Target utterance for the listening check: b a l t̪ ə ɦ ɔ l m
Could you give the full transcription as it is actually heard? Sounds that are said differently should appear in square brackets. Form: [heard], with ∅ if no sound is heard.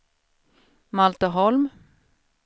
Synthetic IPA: [m] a l t̪ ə ɦ ɔ l m